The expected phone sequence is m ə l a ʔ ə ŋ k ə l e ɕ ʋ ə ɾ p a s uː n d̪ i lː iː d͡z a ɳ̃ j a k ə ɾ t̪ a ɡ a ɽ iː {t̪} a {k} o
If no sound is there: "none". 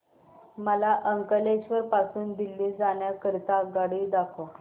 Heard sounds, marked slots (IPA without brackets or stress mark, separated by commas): d̪, kʰ